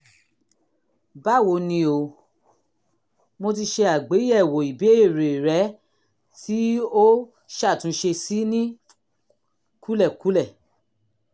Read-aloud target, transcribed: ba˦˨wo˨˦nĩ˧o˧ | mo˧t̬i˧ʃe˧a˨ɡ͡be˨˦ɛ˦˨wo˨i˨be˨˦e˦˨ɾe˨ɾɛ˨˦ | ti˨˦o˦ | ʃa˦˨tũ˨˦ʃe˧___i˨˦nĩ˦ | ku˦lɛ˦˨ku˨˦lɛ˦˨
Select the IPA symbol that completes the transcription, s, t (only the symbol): s